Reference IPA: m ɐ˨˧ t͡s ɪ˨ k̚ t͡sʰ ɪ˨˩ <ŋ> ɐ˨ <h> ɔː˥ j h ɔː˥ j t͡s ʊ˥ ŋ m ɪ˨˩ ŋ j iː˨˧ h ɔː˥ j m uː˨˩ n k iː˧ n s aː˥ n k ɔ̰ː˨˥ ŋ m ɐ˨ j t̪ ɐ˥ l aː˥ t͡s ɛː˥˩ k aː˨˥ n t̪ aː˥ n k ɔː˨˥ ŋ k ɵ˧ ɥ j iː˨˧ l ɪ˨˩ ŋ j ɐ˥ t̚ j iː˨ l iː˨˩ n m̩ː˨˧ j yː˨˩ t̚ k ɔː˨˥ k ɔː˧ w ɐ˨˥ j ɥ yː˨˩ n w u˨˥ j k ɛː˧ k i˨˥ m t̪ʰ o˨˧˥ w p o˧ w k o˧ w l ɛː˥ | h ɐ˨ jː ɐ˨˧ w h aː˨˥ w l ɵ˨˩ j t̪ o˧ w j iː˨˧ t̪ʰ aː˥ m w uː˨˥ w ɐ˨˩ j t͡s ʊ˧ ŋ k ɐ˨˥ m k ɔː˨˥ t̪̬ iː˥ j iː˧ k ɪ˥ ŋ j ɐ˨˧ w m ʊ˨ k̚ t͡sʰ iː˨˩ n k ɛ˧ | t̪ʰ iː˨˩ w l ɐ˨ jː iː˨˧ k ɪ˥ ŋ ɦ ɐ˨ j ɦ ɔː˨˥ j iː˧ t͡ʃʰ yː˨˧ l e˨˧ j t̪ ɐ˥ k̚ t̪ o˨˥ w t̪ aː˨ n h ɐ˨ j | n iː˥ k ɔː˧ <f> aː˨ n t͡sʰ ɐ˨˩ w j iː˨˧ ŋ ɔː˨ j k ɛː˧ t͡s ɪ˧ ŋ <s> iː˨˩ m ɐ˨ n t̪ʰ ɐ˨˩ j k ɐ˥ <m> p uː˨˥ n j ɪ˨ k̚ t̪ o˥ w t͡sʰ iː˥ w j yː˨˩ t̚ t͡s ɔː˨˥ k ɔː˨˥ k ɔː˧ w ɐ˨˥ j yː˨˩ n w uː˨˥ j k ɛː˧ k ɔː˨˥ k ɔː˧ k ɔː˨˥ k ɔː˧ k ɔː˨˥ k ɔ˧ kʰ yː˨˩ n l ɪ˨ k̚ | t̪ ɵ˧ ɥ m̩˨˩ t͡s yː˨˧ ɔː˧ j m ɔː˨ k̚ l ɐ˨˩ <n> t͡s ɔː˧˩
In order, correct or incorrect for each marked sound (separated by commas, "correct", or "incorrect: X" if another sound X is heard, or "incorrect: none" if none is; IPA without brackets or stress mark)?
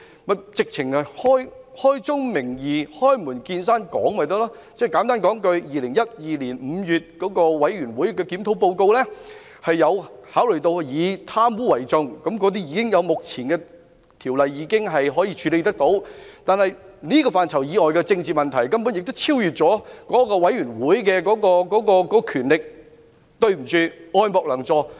correct, correct, correct, incorrect: t͡s, correct, incorrect: ŋ